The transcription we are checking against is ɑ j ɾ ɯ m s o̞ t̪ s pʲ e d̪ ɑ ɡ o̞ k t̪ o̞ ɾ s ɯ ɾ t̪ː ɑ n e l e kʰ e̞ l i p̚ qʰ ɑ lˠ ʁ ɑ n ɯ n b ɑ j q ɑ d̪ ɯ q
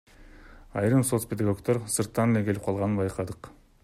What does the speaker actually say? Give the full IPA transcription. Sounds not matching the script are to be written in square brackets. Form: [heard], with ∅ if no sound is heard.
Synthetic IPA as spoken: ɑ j ɾ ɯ m s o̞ t̪ s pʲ e d̪ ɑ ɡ o̞ k t̪ o̞ ɾ s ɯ ɾ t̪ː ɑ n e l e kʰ e̞ l i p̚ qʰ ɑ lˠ ʁ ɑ n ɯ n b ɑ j q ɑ d̪ ɯ q